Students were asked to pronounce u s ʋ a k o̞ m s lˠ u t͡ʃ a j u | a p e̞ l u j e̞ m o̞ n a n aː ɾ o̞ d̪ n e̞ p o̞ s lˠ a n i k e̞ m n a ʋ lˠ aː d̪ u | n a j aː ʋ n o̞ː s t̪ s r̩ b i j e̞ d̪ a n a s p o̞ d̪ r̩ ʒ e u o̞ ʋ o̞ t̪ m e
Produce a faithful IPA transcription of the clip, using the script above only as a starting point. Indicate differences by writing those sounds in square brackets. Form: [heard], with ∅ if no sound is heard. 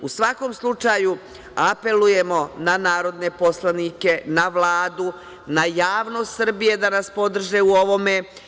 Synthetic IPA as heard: u s ʋ a k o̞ m s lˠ u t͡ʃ a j u | a p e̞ l u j e̞ m o̞ n a n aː ɾ o̞ d̪ n e̞ p o̞ s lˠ a n i k e̞ [∅] n a ʋ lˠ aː d̪ u | n a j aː ʋ n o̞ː s t̪ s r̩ b i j e̞ d̪ a n a s p o̞ d̪ r̩ ʒ e u o̞ ʋ o̞ [∅] m e